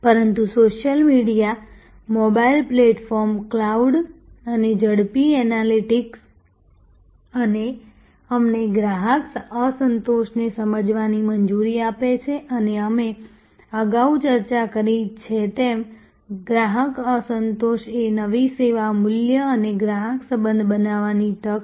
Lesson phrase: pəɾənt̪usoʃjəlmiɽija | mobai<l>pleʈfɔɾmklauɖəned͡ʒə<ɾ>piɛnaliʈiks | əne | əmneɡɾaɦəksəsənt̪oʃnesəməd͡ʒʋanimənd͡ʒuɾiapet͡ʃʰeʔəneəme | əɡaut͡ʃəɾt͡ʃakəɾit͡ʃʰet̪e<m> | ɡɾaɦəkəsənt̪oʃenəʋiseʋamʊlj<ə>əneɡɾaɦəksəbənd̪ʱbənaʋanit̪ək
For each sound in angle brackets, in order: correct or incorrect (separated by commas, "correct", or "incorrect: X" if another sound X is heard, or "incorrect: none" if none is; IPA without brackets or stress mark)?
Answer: correct, incorrect: ɽ, correct, correct